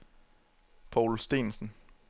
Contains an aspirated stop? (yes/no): yes